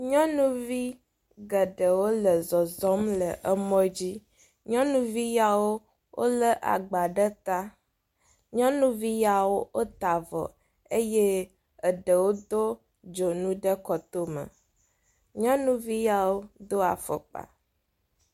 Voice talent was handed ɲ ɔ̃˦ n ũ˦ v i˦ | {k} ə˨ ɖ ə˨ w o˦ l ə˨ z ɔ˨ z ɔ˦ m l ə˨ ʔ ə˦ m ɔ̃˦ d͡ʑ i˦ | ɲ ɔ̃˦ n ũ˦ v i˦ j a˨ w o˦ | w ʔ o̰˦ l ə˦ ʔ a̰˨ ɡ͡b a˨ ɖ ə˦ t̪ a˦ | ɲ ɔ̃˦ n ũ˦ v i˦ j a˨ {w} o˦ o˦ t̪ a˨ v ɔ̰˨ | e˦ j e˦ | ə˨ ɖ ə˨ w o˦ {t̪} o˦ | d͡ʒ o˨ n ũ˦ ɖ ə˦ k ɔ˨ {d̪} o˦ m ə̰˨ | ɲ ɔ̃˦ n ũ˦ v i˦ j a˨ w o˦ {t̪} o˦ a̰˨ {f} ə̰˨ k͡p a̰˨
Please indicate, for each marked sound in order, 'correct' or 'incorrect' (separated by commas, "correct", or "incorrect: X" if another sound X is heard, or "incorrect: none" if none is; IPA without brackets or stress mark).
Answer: incorrect: ɡ, correct, incorrect: d̪, incorrect: t̪, incorrect: d̪, correct